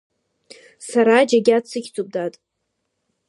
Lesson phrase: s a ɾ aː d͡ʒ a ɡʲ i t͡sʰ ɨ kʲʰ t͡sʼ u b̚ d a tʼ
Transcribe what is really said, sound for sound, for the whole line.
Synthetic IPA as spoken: s a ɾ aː d͡ʒ a ɡʲ a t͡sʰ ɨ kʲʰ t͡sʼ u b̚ d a tʼ